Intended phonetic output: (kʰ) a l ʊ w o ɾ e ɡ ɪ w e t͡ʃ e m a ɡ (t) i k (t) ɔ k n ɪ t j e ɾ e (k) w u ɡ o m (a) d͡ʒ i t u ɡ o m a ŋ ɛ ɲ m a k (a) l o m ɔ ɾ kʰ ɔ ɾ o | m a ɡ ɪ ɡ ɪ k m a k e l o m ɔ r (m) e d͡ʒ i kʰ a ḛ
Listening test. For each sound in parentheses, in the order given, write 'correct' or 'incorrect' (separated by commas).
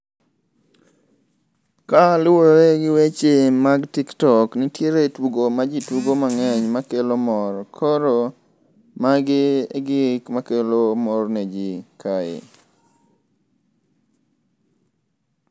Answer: incorrect, correct, correct, incorrect, correct, incorrect, incorrect